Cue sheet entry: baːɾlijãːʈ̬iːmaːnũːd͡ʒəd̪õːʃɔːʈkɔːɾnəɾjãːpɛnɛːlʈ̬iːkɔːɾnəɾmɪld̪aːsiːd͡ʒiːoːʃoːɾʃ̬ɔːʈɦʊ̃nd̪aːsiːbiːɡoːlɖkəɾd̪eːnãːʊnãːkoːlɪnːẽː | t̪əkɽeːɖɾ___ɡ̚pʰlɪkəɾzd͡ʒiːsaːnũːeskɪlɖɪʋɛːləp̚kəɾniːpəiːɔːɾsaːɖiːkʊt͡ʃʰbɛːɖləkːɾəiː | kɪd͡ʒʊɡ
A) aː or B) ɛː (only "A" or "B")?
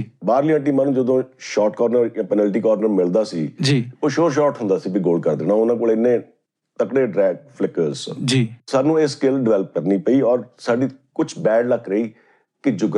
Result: B